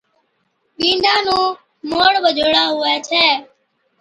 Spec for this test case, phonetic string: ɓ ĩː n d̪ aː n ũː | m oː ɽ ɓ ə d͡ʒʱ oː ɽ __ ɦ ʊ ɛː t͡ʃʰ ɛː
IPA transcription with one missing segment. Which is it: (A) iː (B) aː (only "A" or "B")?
B